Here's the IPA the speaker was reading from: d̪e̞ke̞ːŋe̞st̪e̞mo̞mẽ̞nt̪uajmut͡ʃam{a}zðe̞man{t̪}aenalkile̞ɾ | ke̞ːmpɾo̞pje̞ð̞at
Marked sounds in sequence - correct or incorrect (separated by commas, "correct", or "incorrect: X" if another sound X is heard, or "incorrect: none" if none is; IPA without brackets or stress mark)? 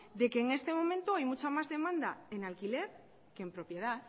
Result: correct, incorrect: d̪